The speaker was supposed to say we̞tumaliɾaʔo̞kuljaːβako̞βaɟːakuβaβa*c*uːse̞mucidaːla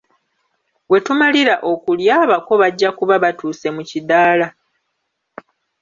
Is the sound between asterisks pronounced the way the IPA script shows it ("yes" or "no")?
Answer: no